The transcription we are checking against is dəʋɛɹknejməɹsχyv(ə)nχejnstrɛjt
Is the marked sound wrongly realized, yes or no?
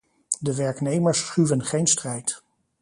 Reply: no